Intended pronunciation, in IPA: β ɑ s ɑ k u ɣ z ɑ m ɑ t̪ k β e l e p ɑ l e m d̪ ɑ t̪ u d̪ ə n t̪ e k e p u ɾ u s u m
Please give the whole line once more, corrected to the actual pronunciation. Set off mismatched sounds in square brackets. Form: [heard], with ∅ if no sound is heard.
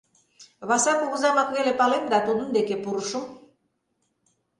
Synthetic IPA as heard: β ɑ s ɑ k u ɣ z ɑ m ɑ [∅] k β e l e p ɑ l e m d̪ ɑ t̪ u d̪ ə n [d̪] e k e p u ɾ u [ʃ] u m